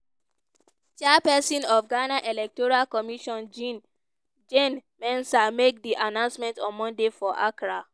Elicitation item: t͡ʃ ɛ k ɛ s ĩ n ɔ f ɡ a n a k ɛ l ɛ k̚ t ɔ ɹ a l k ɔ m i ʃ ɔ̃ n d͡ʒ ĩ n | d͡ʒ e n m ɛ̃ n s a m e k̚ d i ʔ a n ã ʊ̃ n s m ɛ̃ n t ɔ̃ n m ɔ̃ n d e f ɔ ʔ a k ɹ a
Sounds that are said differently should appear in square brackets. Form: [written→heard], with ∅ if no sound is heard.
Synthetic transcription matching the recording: t͡ʃ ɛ [k→p] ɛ s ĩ n ɔ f ɡ a n a [k→ʔ] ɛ l ɛ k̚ t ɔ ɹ a l k ɔ m i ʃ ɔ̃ n d͡ʒ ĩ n | d͡ʒ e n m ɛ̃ n s a m e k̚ d i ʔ a n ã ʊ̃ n s m ɛ̃ n t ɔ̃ n m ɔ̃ n d e f ɔ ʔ a k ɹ a